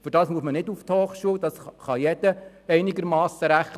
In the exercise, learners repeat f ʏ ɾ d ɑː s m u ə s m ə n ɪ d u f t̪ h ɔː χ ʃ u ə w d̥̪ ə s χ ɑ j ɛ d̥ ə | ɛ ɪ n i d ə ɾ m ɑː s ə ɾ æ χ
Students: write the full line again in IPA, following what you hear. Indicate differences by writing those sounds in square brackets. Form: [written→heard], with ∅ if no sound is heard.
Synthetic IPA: f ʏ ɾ d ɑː s m u ə s m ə n ɪ d u f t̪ h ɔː χ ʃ u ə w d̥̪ [ə→ɑ] s χ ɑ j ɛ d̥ ə | ɛ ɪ n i [d→ɡ] ə ɾ m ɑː s ə ɾ æ χ

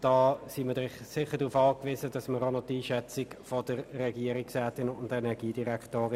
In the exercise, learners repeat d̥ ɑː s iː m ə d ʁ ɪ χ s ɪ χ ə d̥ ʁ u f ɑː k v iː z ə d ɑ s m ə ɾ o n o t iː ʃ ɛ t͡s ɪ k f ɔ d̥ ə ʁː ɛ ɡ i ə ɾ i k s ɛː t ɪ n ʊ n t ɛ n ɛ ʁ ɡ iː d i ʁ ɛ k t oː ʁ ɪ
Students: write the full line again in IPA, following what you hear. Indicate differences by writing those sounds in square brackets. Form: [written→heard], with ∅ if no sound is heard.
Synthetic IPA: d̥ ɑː s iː m ə d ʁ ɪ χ s ɪ χ ə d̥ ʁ u f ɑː k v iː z ə d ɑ s m ə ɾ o n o t iː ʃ ɛ t͡s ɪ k f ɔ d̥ ə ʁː ɛ ɡ i ə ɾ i k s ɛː t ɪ n ʊ n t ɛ n ɛ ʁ ɡ iː d i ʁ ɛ k t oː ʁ ɪ

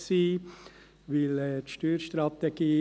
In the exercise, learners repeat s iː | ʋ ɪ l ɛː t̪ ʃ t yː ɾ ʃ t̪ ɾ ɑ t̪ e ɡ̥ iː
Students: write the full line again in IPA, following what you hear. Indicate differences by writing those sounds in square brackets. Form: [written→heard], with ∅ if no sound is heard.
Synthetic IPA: s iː | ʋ ɪ l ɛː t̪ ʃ t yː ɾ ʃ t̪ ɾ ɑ t̪ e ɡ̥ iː

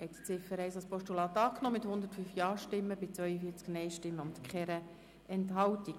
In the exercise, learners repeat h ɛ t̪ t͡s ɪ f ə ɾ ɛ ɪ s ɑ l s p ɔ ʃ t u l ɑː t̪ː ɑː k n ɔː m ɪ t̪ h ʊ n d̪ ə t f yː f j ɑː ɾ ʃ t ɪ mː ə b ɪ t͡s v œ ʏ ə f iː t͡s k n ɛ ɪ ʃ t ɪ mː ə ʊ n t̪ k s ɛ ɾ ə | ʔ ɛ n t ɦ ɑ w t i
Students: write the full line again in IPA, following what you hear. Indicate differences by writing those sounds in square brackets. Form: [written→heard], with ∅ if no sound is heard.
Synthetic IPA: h ɛ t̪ t͡s ɪ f ə ɾ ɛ ɪ s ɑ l s p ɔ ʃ t u l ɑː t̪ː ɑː k n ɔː m ɪ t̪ h ʊ n d̪ ə t f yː f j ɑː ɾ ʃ t ɪ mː ə b ɪ t͡s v œ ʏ ə f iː t͡s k n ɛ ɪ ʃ t ɪ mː ə ʊ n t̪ k [s→χ] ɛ ɾ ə | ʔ ɛ n t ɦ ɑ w t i

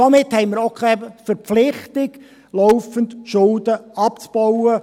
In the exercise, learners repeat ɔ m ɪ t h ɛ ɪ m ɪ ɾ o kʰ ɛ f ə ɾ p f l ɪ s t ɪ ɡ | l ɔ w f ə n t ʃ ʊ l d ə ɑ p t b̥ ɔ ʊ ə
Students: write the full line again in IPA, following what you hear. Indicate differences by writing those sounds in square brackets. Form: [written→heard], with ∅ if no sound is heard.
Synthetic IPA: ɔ m ɪ t h ɛ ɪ m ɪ ɾ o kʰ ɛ f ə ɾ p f l ɪ [s→χ] t ɪ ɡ | l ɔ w f ə n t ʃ ʊ l d ə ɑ p [t→t͡s] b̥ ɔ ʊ ə

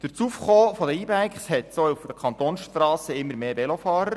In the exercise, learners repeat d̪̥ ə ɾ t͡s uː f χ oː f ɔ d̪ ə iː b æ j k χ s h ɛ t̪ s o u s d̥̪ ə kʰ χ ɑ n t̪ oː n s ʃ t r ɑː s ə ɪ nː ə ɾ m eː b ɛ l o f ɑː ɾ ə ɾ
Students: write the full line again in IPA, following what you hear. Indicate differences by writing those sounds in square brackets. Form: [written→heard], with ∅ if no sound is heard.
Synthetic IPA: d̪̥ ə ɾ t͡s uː f χ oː f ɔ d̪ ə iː b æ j k χ s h ɛ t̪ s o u [s→f] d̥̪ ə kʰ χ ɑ n t̪ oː n s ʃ t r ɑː s ə ɪ [nː→mː] ə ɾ m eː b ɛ l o f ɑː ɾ ə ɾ

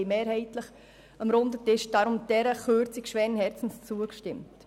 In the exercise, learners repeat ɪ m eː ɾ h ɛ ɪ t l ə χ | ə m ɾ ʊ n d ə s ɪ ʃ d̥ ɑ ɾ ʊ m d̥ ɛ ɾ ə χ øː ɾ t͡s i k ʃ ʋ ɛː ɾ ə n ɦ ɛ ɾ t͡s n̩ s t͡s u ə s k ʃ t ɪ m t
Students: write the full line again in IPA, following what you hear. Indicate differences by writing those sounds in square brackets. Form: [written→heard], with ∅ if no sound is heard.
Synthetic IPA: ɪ m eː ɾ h ɛ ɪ t l ə χ | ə m ɾ ʊ n d ə [s→t] ɪ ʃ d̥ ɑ ɾ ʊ m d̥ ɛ ɾ ə χ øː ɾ t͡s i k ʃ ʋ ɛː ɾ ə n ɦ ɛ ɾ t͡s n̩ s t͡s u ə [s→∅] k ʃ t ɪ m t

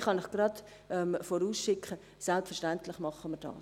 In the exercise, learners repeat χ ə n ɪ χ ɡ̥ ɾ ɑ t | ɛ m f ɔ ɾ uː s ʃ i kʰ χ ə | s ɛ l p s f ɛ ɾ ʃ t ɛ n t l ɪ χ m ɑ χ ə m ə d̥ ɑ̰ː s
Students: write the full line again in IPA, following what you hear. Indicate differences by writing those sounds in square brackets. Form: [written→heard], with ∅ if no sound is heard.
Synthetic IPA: χ [ə→ɑ] n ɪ χ ɡ̥ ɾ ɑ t | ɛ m f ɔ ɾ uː s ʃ [i→ɪ] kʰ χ ə | s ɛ l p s f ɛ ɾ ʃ t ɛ n t l ɪ χ m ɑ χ ə m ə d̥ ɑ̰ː s

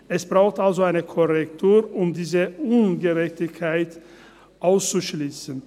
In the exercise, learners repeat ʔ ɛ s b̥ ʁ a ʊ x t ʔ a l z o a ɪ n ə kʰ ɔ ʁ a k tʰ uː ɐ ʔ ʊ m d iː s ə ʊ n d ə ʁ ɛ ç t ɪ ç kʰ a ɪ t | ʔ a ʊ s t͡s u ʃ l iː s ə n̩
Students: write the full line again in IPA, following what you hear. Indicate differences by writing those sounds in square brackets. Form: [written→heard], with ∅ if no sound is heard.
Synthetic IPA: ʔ ɛ s b̥ ʁ a ʊ x t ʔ a l z o a ɪ n ə kʰ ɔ ʁ [a→ɛ] k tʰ uː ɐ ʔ ʊ m d iː [s→z] ə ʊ n [d→ɡ] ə ʁ ɛ ç t ɪ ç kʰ a ɪ t | ʔ a ʊ s t͡s u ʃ l iː s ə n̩

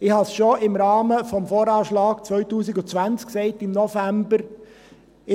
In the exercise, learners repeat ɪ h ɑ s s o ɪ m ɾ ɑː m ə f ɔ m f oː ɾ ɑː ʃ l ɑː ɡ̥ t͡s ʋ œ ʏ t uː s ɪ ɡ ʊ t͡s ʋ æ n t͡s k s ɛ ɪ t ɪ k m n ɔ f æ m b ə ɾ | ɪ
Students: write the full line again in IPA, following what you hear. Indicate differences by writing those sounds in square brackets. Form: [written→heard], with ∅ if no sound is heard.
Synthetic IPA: ɪ h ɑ s [s→ʃ] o ɪ m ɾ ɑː m ə f ɔ m f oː ɾ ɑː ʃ l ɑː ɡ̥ t͡s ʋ œ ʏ t uː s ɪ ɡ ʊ t͡s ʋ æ n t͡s k s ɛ ɪ t ɪ [k→∅] m n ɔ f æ m b ə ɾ | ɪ

